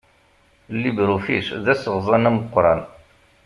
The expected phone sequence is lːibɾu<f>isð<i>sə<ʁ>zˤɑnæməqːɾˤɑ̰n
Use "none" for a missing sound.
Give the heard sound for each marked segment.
f, æ, ʁ

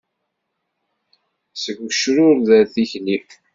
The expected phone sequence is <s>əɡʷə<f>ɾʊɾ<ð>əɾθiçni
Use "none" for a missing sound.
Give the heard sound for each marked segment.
s, ʃ, ð

